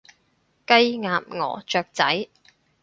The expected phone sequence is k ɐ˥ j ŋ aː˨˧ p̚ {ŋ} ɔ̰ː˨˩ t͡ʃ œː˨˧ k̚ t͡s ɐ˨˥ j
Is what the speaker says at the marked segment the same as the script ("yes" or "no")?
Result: yes